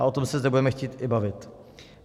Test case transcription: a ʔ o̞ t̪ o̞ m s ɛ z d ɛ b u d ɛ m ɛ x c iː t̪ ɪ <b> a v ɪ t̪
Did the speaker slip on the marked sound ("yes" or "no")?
no